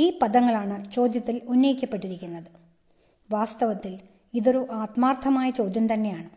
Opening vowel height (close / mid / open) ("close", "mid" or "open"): close